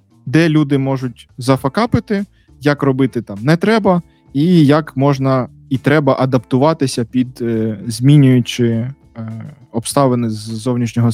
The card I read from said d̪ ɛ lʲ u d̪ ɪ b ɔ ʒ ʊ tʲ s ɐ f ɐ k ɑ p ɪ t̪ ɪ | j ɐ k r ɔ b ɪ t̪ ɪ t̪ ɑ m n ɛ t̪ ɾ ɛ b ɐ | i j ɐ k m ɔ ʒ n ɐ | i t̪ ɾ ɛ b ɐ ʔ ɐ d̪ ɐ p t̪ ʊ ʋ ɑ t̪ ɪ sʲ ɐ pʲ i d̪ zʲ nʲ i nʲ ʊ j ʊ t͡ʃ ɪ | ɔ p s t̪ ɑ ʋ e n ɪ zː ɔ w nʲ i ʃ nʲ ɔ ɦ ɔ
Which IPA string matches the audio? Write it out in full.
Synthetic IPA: d̪ ɛ lʲ u d̪ ɪ m ɔ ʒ ʊ tʲ z ɐ f ɐ k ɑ p ɪ t̪ ɪ | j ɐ k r ɔ b ɪ t̪ ɪ t̪ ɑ m n ɛ t̪ ɾ ɛ b ɐ | i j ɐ k m ɔ ʒ n ɐ | i t̪ ɾ ɛ b ɐ ʔ ɐ d̪ ɐ p t̪ ʊ ʋ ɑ t̪ ɪ sʲ ɐ pʲ i d̪ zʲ mʲ i nʲ ʊ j ʊ t͡ʃ ɪ | ɔ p s t̪ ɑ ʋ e n ɪ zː ɔ w nʲ i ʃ nʲ ɔ ɦ ɔ